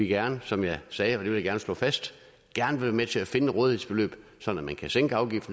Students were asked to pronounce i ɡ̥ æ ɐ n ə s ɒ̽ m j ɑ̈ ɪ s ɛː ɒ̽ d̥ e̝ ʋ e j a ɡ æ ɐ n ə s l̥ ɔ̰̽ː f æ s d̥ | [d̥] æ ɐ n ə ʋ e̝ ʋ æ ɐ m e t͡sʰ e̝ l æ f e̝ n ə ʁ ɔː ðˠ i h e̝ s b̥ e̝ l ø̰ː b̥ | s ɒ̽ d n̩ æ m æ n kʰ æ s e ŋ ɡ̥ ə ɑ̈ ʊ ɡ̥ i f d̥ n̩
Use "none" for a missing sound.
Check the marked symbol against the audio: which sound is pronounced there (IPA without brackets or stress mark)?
ɡ̥